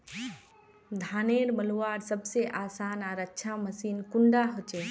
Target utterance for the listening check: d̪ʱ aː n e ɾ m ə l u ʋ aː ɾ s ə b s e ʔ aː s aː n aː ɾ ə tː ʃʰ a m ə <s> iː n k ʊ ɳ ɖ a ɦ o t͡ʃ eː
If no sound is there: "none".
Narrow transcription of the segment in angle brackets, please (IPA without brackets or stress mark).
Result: s